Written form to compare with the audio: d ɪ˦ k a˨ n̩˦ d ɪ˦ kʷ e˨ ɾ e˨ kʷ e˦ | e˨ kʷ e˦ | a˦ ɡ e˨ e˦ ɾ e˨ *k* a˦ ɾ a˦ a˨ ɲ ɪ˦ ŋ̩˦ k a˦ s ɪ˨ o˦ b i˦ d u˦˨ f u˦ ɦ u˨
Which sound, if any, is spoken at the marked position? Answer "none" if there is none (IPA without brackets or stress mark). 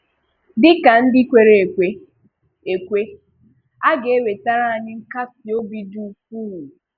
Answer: t